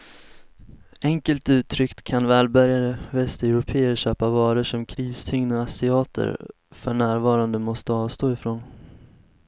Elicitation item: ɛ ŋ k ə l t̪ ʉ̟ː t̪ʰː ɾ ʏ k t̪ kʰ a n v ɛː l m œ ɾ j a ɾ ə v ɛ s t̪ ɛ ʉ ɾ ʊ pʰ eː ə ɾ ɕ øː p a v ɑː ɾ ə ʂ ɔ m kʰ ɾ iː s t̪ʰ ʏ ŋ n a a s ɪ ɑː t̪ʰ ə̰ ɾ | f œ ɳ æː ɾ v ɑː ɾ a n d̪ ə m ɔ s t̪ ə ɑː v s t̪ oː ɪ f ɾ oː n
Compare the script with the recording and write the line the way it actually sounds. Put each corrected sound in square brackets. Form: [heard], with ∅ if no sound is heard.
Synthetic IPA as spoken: ɛ ŋ k ə l t̪ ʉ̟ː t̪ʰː ɾ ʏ k t̪ kʰ a n v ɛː l [b] œ ɾ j a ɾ ə v ɛ s t̪ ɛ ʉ ɾ ʊ pʰ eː ə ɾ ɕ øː p a v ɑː ɾ ə ʂ ɔ m kʰ ɾ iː s t̪ʰ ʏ ŋ n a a s ɪ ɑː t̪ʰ ə̰ ɾ | f œ ɳ æː ɾ v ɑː ɾ a n d̪ ə m ɔ s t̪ ə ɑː v s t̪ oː ɪ f ɾ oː n